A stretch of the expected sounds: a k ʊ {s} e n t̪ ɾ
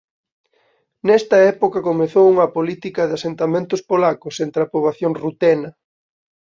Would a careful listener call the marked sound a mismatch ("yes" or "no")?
no